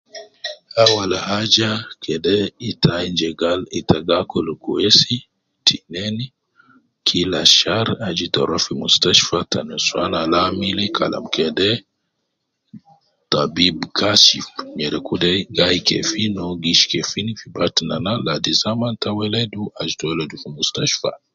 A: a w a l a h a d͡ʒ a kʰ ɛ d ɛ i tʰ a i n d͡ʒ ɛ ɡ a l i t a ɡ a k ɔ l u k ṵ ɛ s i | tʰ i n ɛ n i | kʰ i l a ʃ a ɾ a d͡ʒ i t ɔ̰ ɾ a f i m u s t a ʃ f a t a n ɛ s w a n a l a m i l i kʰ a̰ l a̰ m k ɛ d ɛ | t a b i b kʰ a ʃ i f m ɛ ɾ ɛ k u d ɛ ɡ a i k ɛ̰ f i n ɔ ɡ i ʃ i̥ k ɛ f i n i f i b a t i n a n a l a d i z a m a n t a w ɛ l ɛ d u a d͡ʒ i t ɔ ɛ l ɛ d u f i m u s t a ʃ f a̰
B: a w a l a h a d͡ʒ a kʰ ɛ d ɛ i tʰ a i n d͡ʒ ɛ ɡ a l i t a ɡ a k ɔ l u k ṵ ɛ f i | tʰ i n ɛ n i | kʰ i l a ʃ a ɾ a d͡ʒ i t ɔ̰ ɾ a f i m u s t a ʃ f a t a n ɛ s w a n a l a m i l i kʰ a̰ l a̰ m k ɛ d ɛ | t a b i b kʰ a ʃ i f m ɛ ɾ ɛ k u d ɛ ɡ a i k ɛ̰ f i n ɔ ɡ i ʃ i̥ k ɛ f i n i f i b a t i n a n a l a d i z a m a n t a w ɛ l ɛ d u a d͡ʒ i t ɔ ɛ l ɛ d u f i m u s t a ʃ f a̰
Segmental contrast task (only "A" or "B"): A